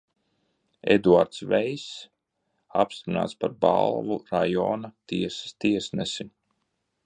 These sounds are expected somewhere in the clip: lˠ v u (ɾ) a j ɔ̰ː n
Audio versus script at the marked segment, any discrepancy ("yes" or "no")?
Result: no